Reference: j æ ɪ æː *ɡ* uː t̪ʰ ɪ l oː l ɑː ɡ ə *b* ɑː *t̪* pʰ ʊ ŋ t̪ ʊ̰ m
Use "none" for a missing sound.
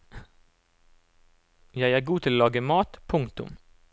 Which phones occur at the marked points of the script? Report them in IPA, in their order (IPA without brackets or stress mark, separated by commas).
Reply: ɡ, m, t̪